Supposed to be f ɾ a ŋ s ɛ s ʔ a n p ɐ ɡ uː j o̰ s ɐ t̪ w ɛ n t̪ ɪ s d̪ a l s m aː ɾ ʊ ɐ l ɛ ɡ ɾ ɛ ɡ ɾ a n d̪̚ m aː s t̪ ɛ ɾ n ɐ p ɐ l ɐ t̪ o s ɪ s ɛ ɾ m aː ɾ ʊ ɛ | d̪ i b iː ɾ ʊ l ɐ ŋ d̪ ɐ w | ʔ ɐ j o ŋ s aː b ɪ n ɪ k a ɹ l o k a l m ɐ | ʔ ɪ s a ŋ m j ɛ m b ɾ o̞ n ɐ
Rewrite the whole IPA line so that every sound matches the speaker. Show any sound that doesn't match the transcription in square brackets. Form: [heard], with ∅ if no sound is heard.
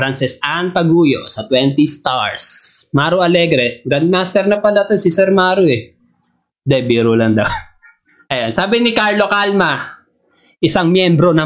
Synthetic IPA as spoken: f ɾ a [n] s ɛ s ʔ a n p ɐ ɡ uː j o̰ s ɐ t̪ w ɛ n t̪ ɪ s [t̪] a [ɹ] s m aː ɾ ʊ ɐ l ɛ ɡ ɾ ɛ ɡ ɾ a n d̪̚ m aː s t̪ ɛ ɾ n ɐ p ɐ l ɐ t̪ o s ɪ s ɛ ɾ m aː ɾ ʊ ɛ | d̪ [ɛ] b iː ɾ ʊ l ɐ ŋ d̪ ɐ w | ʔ ɐ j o [n] s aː b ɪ n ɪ k a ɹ l o k a l m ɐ | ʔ ɪ s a ŋ m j ɛ m b ɾ o̞ n ɐ